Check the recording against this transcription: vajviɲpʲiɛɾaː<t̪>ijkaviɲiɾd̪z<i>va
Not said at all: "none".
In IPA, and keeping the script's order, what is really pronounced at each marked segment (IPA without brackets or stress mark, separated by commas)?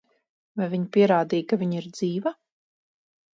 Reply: d̪, iː